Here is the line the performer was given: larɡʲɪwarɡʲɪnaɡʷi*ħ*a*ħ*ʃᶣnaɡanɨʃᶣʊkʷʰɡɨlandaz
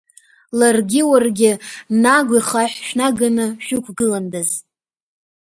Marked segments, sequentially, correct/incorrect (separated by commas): incorrect, correct